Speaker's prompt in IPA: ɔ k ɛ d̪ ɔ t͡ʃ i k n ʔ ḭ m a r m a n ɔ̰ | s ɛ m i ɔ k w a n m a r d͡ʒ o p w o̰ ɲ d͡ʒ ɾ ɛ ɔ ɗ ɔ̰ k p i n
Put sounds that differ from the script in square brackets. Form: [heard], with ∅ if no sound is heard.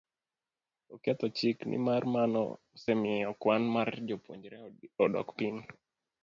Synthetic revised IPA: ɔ k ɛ [t̪] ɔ t͡ʃ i k n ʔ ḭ m a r m a n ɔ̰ | s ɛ m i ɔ k w a n m a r d͡ʒ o p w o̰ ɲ d͡ʒ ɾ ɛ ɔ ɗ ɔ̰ k p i n